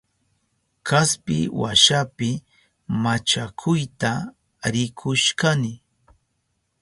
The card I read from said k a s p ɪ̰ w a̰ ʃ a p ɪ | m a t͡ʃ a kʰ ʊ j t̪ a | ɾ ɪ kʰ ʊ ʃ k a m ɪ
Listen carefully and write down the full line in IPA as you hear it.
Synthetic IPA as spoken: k a s p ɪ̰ w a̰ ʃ a p ɪ | m a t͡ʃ a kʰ ʊ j t̪ a | ɾ ɪ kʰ ʊ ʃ k a n ɪ